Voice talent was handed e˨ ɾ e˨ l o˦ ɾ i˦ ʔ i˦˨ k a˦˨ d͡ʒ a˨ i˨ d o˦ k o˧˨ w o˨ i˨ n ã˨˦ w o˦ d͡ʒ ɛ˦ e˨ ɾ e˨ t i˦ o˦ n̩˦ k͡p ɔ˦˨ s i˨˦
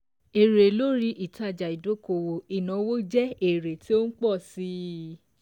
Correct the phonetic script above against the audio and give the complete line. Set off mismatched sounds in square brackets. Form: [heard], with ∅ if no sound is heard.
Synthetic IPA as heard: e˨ ɾ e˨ l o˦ ɾ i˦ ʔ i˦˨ [t] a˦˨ d͡ʒ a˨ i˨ d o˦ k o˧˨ w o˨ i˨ n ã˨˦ w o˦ d͡ʒ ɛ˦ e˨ ɾ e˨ t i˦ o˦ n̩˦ k͡p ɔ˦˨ s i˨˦